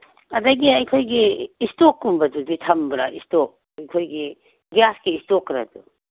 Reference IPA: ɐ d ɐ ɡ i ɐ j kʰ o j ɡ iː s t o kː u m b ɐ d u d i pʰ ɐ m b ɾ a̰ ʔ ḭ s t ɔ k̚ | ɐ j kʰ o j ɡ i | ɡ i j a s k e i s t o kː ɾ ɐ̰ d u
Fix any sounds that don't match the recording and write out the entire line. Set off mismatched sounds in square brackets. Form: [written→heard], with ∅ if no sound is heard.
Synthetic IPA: ɐ d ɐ ɡ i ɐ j kʰ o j ɡ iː s t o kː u m b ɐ d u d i [pʰ→tʰ] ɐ m b ɾ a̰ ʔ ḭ s t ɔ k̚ | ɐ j kʰ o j ɡ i | ɡ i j a s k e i s t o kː ɾ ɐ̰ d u